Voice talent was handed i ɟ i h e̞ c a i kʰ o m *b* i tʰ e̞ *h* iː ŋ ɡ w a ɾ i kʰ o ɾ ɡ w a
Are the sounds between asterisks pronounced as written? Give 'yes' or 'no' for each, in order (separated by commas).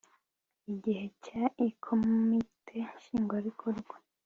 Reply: no, no